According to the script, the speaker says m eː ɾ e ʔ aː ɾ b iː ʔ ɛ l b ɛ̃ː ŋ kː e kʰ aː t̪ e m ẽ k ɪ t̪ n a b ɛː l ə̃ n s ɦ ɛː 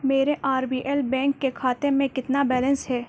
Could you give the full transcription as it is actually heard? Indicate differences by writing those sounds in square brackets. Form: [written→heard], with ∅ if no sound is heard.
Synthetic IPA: m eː ɾ e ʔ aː ɾ b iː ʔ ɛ l b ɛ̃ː ŋ kː e kʰ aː t̪ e m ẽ k ɪ t̪ n a b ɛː l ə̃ n s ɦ ɛː